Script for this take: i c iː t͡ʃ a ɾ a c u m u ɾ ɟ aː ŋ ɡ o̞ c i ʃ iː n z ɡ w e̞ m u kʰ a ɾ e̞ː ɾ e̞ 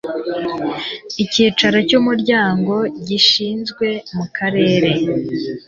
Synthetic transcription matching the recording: i c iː t͡ʃ a ɾ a c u m u ɾ ɟ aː ŋ ɡ o̞ ɟ i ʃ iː n z ɡ w e̞ m u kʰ a ɾ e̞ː ɾ e̞